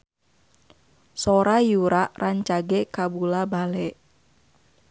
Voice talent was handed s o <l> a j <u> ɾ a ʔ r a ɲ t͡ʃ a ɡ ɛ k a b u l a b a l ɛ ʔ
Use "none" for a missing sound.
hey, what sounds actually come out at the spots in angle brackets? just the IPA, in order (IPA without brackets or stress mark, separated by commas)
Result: ɾ, u